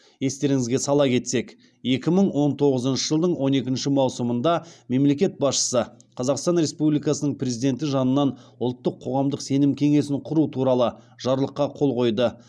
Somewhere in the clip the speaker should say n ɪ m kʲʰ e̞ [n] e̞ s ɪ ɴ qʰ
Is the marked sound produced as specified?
no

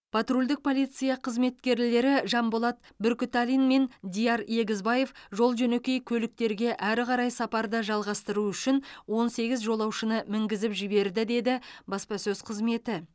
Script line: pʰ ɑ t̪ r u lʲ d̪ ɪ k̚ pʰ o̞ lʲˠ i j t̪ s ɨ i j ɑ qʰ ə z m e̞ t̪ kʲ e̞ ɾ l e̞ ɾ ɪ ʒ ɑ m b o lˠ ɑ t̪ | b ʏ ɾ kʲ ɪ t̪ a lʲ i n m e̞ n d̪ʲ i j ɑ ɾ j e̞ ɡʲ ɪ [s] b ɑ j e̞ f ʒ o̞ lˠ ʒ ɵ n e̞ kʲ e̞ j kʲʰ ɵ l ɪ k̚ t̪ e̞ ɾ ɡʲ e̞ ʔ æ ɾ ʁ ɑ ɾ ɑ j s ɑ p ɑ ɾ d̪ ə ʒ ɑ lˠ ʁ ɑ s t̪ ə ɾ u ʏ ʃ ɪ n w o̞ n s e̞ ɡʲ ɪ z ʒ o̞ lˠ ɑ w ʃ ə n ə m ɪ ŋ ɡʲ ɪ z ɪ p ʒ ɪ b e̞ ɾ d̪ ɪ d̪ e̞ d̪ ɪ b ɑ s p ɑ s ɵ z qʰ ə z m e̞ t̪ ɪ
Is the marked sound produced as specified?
no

